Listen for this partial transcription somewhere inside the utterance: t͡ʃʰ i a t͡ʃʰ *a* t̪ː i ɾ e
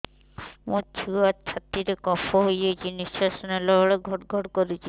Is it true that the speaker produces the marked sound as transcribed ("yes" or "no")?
yes